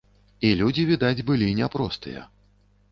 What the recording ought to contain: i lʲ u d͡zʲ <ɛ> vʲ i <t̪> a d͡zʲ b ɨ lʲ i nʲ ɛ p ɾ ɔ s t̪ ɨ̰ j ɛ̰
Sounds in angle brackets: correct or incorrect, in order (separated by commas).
incorrect, incorrect